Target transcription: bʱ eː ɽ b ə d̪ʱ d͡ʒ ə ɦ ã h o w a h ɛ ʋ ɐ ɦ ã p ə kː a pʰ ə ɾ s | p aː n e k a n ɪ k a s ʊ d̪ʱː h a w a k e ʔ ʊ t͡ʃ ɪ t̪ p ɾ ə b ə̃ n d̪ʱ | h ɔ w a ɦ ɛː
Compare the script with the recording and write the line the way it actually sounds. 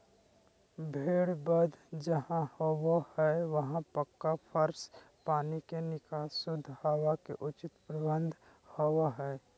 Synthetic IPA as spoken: bʱ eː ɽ b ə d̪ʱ d͡ʒ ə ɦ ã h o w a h ɛ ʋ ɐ ɦ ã p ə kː a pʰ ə ɾ s | p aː n i k e n ɪ k a s ʊ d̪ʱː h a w a k e ʔ ʊ t͡ʃ ɪ t̪ p ɾ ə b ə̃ n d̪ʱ | h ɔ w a ɦ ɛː